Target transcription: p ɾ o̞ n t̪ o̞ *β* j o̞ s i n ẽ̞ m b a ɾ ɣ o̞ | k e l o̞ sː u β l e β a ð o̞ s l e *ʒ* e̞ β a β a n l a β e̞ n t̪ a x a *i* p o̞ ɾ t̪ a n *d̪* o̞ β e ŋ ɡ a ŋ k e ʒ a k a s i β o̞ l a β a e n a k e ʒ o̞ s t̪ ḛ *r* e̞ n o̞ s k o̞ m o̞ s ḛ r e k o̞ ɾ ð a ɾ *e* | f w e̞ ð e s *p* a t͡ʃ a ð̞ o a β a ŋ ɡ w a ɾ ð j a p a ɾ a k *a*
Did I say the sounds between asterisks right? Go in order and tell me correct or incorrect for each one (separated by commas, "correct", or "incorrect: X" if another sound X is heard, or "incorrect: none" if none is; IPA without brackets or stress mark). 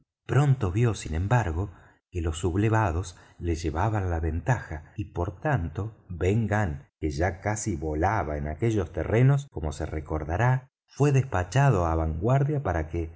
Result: correct, correct, correct, incorrect: t̪, correct, incorrect: a, correct, incorrect: e